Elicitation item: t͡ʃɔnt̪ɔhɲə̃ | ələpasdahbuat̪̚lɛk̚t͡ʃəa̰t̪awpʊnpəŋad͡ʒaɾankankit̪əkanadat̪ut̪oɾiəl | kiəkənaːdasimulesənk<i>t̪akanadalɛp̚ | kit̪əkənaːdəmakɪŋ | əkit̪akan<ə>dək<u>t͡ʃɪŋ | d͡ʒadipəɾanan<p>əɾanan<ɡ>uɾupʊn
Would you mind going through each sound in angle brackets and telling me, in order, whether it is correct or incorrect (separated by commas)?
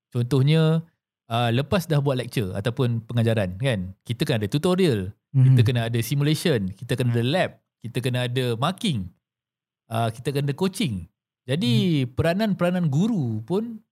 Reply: correct, incorrect, incorrect, correct, correct